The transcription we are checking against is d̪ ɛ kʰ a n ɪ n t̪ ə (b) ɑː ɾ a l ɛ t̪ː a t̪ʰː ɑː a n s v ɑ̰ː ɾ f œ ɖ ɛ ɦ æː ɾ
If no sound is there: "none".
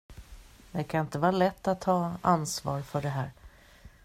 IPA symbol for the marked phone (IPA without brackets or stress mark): v